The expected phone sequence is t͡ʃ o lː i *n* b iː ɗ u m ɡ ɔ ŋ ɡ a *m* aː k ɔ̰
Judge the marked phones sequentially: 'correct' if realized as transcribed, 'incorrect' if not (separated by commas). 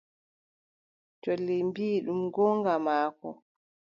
incorrect, correct